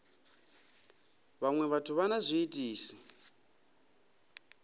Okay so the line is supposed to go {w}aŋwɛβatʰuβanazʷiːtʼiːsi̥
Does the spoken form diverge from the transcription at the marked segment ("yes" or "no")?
yes